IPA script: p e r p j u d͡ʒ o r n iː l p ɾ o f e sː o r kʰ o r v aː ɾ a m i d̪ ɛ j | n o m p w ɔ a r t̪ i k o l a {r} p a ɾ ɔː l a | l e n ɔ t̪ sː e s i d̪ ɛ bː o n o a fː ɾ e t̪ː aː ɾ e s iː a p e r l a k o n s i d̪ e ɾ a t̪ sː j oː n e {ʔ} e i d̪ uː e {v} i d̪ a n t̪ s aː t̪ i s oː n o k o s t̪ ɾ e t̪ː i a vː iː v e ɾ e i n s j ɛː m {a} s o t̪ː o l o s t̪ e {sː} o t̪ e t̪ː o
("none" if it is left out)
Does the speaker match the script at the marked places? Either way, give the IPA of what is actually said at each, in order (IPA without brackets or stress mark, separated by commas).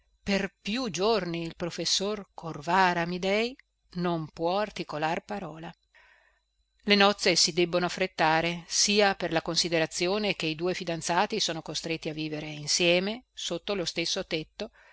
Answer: r, k, f, e, sː